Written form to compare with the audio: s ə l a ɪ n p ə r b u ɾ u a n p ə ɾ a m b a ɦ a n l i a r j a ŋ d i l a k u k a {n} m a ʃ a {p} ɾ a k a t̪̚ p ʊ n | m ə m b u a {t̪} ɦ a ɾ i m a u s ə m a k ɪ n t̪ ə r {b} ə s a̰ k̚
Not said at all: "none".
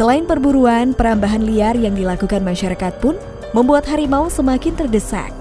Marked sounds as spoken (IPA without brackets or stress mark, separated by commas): n, none, t̪, d